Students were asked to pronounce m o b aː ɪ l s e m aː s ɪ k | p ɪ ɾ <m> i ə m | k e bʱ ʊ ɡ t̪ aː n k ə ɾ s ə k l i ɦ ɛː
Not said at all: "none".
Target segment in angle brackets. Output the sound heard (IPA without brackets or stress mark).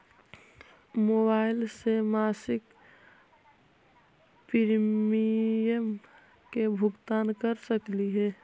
m